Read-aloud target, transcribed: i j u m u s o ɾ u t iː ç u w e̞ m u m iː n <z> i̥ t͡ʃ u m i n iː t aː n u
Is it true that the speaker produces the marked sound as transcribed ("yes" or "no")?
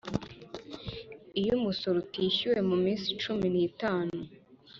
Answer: no